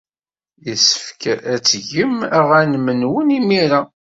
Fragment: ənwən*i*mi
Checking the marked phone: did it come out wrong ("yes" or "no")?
no